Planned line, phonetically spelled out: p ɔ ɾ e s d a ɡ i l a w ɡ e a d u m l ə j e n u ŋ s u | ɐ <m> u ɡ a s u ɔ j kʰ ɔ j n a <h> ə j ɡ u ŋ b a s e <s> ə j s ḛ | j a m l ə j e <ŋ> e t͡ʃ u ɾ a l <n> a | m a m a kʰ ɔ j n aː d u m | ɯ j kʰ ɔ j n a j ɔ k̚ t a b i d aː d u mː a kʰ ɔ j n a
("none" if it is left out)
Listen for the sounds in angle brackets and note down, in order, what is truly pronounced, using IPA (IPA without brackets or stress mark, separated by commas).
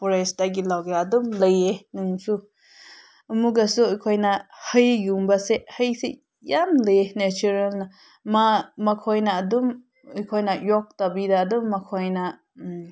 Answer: m, h, h, n, n